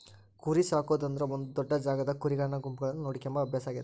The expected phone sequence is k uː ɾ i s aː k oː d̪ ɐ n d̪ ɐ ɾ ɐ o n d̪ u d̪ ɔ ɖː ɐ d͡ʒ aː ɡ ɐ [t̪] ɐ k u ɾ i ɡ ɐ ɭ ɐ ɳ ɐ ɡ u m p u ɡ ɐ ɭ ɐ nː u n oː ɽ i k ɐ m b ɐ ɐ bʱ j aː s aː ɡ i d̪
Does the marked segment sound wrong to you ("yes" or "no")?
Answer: yes